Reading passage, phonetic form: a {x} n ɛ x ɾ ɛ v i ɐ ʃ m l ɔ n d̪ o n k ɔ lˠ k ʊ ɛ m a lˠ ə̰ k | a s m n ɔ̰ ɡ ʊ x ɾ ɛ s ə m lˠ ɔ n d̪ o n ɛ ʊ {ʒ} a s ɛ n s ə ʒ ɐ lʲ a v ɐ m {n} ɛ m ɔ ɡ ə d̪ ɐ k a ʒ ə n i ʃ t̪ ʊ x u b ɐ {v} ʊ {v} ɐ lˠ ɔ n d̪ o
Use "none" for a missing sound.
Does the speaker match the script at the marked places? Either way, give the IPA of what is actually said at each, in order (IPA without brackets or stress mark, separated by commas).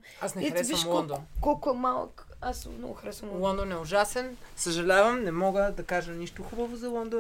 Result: s, ʒ, n, v, z